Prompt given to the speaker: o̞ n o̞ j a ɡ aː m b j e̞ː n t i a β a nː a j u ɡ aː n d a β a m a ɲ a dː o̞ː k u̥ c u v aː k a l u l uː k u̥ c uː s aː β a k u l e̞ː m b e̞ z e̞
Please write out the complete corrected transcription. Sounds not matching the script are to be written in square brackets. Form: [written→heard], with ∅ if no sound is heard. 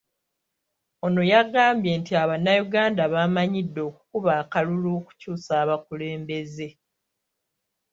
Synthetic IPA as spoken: o̞ n o̞ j a ɡ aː m b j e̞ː n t i a β a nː a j u ɡ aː n d a β a m a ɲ [a→i] dː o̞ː k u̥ [c→k] u [v→β] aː k a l u l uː k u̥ c uː s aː β a k u l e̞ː m b e̞ z e̞